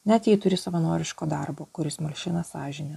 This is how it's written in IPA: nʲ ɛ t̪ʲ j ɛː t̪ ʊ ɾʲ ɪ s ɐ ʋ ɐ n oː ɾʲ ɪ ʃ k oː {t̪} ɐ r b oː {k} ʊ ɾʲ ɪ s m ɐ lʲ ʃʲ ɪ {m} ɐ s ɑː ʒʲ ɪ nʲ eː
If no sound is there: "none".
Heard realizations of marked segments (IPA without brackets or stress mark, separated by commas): d̪, k, n